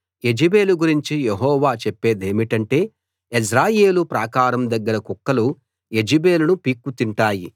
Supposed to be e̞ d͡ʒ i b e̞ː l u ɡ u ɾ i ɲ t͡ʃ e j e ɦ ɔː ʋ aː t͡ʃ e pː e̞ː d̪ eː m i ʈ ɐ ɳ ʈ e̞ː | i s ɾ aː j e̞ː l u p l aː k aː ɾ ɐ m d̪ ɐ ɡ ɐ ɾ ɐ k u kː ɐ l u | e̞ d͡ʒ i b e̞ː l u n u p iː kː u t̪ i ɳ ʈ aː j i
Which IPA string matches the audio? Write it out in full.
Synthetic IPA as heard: e̞ d͡ʒ i b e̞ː l u ɡ u ɾ i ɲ t͡ʃ i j e ɦ ɔː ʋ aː t͡ʃ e pː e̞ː d̪ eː m i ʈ ɐ ɳ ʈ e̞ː | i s ɾ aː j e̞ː l u p ɾ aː k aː ɾ ɐ m d̪ ɐ ɡː ɐ ɾ ɐ k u kː ɐ l u | e̞ d͡ʒ i b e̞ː l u n u p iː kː u t̪ i ɳ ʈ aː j i